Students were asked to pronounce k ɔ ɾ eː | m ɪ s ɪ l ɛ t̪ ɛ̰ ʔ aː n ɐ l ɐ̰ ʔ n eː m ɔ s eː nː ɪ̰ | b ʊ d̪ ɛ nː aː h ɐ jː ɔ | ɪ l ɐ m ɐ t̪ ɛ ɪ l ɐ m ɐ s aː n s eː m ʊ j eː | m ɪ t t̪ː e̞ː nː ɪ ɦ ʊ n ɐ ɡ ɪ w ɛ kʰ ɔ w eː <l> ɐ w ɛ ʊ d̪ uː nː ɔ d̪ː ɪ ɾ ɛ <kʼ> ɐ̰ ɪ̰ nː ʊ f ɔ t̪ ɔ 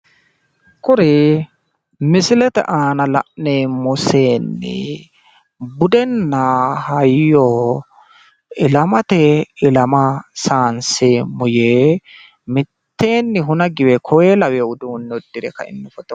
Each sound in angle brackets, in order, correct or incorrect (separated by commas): correct, incorrect